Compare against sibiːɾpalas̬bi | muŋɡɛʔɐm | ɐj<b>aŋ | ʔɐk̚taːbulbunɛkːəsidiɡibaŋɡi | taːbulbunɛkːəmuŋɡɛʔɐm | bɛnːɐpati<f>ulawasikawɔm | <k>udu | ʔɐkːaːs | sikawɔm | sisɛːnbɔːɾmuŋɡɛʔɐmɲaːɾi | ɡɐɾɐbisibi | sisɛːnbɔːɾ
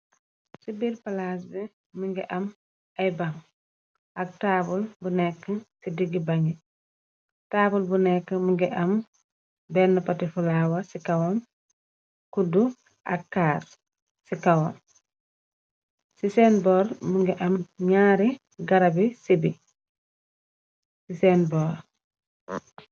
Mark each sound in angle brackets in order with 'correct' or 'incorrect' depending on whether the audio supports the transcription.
correct, correct, correct

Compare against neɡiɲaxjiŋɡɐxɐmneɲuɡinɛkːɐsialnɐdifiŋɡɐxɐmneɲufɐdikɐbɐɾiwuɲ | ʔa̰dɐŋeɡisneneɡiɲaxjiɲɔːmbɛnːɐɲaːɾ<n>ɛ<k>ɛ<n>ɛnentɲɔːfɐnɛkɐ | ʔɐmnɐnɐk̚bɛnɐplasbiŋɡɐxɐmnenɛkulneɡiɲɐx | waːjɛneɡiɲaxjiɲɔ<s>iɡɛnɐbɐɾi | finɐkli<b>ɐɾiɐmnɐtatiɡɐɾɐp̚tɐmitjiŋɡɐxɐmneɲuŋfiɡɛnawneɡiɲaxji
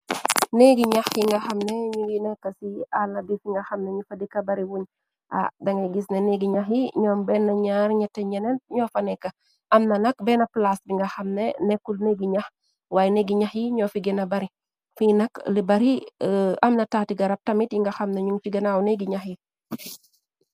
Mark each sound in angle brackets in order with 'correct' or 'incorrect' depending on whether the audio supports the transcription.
incorrect, incorrect, incorrect, incorrect, correct

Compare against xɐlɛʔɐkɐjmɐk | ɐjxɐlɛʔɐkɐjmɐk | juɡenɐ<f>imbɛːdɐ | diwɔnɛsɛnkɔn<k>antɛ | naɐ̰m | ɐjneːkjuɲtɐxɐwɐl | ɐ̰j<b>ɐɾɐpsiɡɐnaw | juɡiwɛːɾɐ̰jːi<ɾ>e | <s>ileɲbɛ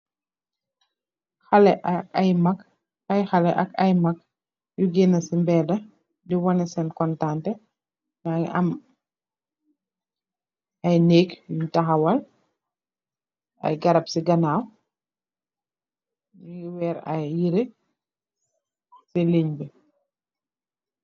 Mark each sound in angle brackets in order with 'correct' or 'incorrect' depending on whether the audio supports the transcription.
incorrect, incorrect, incorrect, correct, correct

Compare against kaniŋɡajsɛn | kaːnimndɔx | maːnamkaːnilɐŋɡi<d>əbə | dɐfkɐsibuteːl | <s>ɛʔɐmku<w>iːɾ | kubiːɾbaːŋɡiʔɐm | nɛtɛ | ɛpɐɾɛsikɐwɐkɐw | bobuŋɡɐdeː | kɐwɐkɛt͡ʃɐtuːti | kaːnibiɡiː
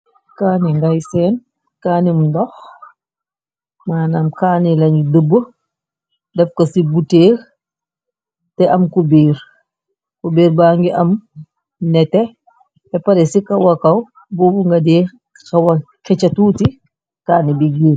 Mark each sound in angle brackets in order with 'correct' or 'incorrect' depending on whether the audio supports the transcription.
correct, incorrect, incorrect

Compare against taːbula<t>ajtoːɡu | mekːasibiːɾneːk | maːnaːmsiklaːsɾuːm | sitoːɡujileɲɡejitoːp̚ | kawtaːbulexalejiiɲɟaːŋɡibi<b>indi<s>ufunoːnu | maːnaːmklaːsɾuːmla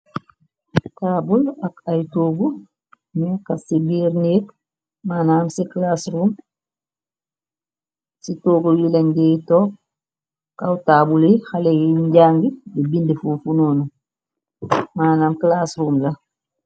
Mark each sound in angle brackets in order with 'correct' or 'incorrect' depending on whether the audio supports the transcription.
incorrect, correct, incorrect

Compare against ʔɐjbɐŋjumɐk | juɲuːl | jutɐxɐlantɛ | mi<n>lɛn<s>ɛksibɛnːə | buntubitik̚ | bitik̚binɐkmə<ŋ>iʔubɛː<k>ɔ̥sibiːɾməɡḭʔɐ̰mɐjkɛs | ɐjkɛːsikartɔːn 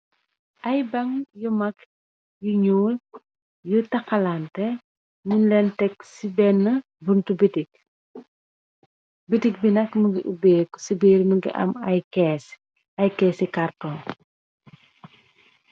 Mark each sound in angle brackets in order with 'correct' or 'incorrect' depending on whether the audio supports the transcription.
correct, incorrect, incorrect, correct

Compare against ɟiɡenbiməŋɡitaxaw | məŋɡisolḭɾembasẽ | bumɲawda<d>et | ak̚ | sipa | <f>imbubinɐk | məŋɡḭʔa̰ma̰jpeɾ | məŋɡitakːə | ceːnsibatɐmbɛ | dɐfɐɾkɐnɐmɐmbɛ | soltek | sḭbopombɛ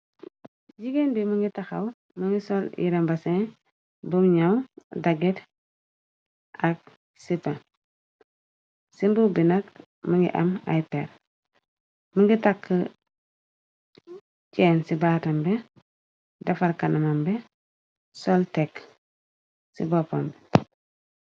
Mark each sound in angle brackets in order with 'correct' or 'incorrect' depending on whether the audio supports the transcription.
incorrect, incorrect

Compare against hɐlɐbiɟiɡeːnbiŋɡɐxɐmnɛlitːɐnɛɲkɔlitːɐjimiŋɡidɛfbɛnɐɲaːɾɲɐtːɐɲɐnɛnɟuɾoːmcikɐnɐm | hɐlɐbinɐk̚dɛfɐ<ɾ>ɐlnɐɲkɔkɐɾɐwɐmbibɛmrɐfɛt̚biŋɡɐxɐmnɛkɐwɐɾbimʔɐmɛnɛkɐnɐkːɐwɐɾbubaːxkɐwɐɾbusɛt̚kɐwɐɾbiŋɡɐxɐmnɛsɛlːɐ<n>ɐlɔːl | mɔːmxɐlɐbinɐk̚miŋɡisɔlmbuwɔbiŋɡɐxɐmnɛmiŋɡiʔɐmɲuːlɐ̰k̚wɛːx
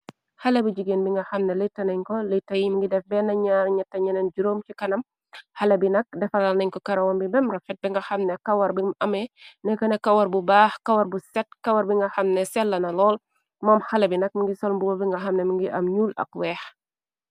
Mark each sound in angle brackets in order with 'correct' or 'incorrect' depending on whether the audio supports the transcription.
incorrect, correct

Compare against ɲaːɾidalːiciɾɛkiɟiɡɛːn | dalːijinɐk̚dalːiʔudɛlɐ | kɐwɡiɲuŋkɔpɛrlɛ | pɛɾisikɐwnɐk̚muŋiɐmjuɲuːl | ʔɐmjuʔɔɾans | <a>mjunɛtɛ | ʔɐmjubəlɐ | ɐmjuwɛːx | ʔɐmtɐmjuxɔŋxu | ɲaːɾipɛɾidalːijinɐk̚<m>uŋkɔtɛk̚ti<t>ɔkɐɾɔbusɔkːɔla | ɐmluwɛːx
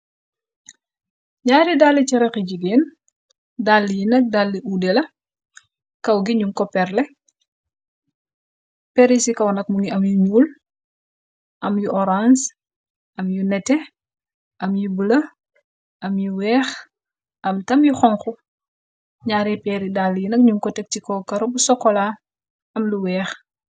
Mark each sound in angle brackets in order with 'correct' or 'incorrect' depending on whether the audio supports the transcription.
incorrect, incorrect, incorrect

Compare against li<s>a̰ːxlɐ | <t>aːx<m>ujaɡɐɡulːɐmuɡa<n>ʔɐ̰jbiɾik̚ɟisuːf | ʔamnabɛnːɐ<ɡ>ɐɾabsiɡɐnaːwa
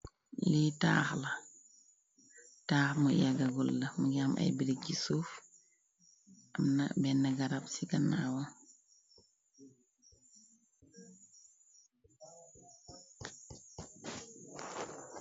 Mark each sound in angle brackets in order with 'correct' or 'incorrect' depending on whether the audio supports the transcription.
incorrect, correct, correct, incorrect, correct

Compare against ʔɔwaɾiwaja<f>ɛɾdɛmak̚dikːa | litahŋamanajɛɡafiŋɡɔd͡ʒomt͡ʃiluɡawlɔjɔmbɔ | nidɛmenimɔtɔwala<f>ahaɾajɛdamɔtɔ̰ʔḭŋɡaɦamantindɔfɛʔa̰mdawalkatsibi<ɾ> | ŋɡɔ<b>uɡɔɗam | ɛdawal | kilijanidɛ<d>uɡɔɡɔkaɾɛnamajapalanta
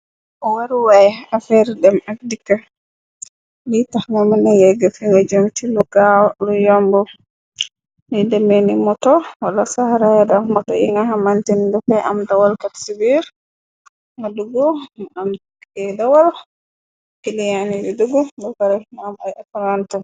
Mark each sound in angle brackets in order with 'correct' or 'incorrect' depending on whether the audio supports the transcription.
correct, incorrect, correct, incorrect, correct

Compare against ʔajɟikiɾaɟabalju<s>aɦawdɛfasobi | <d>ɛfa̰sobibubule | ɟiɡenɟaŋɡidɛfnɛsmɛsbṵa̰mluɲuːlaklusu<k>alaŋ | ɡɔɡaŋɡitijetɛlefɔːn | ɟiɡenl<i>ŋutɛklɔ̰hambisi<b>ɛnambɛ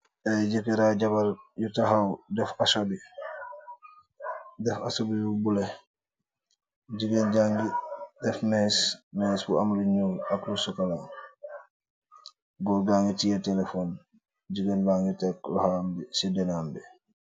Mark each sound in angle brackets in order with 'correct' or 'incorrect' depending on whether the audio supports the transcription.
incorrect, correct, correct, incorrect, incorrect

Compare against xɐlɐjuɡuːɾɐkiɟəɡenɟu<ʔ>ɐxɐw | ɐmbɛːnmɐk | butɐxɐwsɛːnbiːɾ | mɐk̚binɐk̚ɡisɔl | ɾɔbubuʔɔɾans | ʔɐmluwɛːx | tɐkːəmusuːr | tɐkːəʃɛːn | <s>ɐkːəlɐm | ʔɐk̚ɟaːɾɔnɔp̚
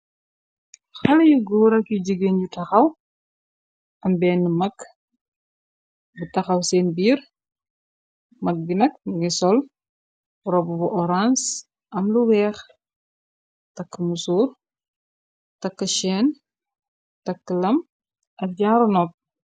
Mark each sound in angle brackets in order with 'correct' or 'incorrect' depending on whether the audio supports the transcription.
incorrect, incorrect

